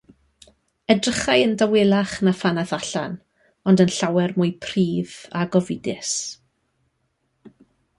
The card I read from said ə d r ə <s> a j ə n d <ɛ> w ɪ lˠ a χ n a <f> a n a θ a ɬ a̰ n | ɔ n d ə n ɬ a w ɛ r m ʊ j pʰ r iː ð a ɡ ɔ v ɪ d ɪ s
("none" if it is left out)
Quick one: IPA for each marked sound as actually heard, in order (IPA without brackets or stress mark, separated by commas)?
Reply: χ, a, f